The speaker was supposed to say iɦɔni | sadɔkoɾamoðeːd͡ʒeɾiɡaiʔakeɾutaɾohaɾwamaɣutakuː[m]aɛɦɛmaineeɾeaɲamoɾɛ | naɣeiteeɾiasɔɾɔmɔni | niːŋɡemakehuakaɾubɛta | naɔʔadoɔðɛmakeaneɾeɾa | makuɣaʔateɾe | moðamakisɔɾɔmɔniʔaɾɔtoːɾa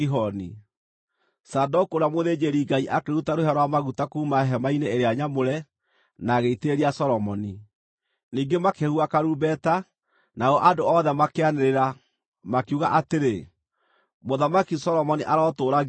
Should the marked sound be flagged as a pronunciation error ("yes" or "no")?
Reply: no